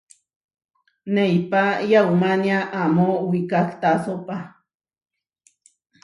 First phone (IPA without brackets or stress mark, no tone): n